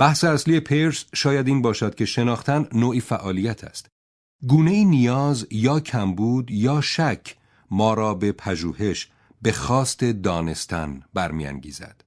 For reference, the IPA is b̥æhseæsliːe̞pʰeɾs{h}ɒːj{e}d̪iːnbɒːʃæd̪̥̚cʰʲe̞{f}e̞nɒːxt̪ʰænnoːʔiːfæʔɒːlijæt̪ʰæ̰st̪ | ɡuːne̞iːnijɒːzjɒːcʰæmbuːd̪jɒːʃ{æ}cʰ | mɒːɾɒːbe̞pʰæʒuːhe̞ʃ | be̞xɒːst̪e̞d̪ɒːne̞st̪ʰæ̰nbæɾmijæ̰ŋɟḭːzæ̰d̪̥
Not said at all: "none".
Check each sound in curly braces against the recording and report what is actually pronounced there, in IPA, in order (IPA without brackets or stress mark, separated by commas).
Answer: ʃ, æ, ʃ, æ